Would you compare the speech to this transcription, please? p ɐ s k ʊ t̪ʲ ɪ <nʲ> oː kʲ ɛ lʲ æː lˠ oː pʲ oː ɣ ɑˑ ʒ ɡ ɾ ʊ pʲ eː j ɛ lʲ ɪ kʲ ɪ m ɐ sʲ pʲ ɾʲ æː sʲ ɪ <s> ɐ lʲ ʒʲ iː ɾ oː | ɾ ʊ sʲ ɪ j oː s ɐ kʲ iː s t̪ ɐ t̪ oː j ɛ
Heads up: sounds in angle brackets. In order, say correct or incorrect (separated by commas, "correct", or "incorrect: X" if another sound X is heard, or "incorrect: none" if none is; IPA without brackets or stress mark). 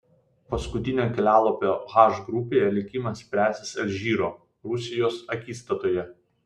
correct, correct